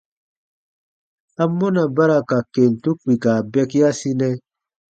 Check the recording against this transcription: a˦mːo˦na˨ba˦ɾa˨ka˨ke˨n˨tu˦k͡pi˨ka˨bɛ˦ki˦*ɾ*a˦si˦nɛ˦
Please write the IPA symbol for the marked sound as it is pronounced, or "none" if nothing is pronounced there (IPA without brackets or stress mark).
none